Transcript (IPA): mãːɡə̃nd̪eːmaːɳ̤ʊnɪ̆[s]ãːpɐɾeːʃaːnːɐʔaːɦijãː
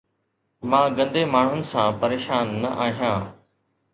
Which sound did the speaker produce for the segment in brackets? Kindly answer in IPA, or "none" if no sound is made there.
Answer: s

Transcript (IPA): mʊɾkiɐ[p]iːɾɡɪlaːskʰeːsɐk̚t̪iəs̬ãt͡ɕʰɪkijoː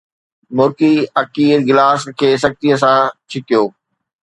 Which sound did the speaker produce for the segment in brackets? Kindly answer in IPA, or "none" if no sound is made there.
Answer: k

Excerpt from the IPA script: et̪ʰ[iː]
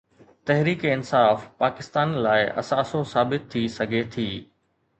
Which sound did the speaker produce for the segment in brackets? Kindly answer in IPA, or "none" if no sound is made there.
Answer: iː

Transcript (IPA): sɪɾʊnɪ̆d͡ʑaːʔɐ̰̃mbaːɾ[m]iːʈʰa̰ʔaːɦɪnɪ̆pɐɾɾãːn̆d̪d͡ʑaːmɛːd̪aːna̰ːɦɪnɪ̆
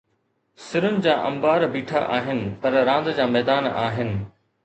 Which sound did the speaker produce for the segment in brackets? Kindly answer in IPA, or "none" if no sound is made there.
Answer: b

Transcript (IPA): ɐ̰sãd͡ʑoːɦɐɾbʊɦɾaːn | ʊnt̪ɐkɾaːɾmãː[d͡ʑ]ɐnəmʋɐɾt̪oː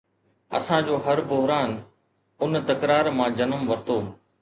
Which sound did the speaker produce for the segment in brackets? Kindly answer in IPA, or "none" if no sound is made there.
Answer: d͡ʑ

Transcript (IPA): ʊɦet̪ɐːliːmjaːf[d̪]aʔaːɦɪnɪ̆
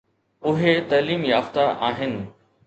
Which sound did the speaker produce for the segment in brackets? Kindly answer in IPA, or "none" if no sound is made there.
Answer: t̪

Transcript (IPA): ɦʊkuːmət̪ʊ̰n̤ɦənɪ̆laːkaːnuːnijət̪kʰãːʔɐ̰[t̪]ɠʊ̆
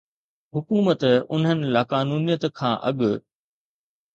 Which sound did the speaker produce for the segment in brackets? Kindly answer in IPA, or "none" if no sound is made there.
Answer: none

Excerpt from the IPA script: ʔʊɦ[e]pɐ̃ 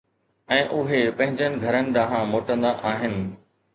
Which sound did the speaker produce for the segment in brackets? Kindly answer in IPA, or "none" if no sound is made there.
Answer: e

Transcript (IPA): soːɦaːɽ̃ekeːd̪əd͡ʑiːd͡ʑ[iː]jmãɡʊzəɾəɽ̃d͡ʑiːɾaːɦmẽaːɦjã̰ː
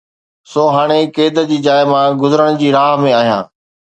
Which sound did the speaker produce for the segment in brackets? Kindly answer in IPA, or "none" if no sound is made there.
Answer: aː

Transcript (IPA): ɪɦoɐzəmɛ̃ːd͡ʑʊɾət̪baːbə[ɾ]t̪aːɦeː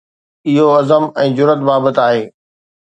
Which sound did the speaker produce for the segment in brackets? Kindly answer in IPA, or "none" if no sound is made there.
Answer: none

